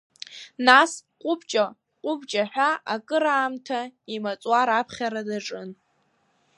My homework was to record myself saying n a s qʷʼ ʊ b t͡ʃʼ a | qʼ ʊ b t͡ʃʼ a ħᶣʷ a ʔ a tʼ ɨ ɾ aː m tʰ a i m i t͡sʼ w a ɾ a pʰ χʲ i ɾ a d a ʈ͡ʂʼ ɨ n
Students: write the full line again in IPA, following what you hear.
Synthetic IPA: n a s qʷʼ ʊ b t͡ʃʼ a | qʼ ʊ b t͡ʃʼ a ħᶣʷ a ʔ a kʼ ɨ ɾ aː m tʰ a i m a t͡sʼ w a ɾ a pʰ χʲ a ɾ a d a ʈ͡ʂʼ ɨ n